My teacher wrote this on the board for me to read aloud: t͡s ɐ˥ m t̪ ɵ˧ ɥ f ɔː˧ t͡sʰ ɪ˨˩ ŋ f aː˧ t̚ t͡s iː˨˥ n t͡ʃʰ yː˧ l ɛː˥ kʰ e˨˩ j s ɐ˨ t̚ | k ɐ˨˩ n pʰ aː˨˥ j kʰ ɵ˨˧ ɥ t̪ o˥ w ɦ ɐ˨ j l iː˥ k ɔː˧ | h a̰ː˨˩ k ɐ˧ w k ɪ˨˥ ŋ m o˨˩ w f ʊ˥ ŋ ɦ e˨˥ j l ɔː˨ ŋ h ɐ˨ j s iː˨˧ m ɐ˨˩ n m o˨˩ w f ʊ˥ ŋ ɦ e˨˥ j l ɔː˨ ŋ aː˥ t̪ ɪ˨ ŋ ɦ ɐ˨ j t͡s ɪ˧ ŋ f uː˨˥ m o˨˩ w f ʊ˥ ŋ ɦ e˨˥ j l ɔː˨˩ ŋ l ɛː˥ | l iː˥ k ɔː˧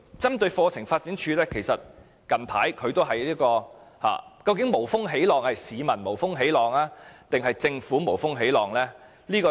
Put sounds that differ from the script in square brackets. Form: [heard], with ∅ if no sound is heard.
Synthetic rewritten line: t͡s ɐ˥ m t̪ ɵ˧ ɥ f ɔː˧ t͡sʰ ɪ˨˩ ŋ f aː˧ t̚ t͡s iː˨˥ n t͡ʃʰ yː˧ l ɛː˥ kʰ e˨˩ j s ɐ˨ t̚ | k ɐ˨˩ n pʰ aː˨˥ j kʰ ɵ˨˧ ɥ t̪ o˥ w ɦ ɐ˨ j l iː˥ k ɔː˧ | h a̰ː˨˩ k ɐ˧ w k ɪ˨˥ ŋ m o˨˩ w f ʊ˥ ŋ ɦ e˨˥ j l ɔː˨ ŋ h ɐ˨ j s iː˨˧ m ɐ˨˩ n m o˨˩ w f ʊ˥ ŋ ɦ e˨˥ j l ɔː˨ ŋ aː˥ t̪ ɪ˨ ŋ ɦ ɐ˨ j t͡s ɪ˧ ŋ f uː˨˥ m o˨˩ w f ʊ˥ ŋ ɦ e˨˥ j l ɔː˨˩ ŋ l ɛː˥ | l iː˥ k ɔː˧